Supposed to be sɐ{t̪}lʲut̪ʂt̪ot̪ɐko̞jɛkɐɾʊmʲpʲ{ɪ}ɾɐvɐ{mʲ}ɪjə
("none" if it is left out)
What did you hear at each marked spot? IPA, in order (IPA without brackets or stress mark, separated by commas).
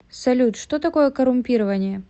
none, i, nʲ